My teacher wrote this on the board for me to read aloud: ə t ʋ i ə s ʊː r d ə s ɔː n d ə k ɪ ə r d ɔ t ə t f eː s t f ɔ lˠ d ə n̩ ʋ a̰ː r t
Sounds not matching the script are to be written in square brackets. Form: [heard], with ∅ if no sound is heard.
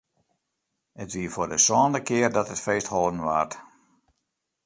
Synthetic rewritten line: ə t ʋ i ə [f] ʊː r d ə s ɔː n d ə k ɪ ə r d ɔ t ə t f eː s t [h] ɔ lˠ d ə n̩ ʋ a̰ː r t